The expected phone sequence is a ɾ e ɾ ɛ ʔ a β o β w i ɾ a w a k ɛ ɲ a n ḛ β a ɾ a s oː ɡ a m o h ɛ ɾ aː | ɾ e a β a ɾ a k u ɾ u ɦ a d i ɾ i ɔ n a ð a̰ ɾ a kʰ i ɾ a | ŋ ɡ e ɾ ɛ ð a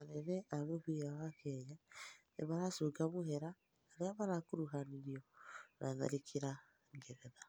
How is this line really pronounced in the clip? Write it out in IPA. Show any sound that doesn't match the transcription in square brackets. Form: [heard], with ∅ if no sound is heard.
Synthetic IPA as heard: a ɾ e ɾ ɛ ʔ a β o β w i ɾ a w a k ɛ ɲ a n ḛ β a ɾ a s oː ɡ a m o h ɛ ɾ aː | ɾ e a β a ɾ a k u ɾ u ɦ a [n] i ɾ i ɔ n a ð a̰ ɾ [i] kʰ i ɾ a | ŋ ɡ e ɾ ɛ ð a